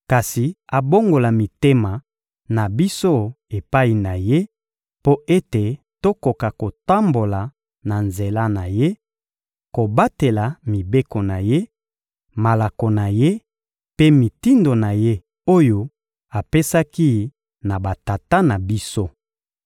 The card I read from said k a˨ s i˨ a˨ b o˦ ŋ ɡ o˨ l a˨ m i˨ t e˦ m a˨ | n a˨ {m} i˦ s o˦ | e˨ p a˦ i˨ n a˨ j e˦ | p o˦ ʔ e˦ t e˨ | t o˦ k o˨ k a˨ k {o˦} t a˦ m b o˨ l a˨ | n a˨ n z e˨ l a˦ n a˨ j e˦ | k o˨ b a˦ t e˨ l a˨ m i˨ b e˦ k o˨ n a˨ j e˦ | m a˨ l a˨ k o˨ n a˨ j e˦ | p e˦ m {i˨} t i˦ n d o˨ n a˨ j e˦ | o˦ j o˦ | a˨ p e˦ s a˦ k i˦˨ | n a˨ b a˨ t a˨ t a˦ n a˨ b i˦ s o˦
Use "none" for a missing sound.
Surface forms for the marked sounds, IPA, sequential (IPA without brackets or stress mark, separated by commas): b, o˨, i˨